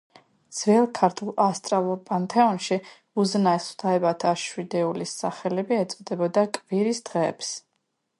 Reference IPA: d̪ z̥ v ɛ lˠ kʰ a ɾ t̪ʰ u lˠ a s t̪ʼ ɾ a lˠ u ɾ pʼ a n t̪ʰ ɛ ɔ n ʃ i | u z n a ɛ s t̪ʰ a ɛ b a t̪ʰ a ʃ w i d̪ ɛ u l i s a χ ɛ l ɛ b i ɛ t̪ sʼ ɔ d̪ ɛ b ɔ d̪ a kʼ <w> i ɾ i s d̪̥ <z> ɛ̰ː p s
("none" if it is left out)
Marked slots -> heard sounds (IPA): v, ʁ

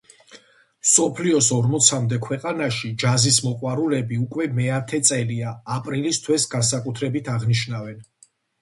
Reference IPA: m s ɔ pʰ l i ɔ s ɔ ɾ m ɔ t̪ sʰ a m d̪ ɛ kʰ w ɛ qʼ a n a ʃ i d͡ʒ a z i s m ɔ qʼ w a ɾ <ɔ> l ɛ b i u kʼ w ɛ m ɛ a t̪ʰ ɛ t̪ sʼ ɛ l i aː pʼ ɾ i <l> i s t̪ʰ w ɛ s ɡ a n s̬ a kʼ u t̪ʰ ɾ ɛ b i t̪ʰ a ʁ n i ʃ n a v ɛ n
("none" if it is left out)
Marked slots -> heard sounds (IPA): u, l

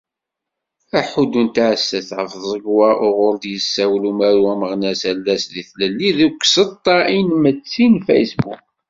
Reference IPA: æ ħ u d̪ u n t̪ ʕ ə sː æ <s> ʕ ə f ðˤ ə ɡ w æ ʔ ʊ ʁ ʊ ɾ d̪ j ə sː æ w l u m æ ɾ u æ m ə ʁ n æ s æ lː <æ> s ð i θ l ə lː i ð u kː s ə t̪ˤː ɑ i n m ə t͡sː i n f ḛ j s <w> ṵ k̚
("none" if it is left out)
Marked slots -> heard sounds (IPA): θ, æ, b

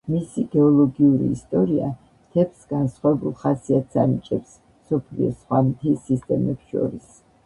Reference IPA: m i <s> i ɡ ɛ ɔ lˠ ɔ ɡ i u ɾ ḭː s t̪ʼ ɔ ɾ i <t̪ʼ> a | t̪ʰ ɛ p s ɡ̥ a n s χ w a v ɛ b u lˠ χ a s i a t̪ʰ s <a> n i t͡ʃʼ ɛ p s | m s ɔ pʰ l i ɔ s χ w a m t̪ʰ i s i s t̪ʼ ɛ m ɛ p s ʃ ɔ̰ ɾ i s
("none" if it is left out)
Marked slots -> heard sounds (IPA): s, none, a

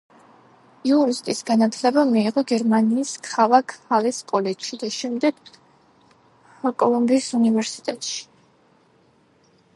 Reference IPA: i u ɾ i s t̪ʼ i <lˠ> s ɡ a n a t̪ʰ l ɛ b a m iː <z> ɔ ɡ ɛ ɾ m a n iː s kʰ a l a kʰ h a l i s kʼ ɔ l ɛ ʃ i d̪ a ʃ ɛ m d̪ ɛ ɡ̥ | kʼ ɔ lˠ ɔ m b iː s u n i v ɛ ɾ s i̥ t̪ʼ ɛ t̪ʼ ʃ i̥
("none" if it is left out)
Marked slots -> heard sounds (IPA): none, ʁ

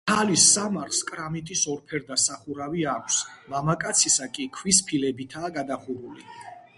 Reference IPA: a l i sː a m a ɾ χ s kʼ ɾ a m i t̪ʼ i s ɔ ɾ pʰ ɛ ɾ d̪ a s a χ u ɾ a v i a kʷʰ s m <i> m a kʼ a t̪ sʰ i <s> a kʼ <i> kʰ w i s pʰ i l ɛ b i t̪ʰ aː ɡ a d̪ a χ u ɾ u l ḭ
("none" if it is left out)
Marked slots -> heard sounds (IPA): a, s, i

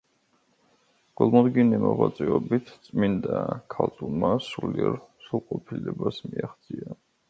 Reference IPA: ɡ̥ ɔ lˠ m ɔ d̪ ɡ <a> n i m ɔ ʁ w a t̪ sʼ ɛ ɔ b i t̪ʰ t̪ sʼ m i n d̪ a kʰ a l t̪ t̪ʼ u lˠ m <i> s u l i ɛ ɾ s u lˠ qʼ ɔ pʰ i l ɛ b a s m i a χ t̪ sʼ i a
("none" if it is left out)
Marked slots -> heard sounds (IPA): i, a

